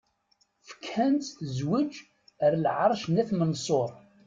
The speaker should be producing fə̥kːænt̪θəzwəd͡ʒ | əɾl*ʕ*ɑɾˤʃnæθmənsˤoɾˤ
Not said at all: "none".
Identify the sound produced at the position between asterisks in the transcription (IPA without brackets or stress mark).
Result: ʕ